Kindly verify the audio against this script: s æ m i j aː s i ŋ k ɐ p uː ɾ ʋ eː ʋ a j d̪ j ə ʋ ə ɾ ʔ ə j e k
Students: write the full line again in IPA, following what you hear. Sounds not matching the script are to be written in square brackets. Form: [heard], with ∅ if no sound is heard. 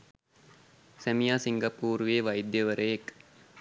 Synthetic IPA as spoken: s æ m i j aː s i ŋ [ɡ] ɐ p uː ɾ ʋ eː ʋ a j d̪ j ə ʋ ə ɾ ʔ ə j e k

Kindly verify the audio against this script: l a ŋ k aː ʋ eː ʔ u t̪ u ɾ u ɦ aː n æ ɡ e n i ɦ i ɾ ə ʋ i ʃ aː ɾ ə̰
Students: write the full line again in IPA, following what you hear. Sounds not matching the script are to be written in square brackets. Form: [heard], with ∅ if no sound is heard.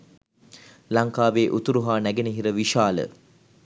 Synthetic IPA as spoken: l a ŋ k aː ʋ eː ʔ u t̪ u ɾ u ɦ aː n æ ɡ e n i ɦ i ɾ ə ʋ i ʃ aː [l] ə̰

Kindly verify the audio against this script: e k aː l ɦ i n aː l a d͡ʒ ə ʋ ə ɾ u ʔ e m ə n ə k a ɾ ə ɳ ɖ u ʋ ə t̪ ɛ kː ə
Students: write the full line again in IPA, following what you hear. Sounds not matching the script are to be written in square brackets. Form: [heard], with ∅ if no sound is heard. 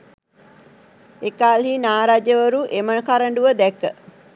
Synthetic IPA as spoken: e k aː l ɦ i n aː [ɾ] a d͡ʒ ə ʋ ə ɾ u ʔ e m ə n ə k a ɾ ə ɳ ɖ u ʋ ə [d̪] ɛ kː ə

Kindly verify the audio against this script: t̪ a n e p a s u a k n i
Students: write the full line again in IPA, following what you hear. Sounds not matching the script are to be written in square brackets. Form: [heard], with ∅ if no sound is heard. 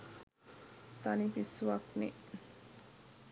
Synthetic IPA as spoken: t̪ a n [i] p [i] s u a k n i

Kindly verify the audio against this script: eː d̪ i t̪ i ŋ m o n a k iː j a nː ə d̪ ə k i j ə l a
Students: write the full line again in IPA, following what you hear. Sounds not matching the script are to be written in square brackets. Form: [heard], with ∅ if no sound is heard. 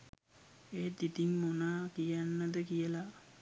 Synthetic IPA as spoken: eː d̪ i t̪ i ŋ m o n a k [i] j a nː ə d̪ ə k i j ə l a

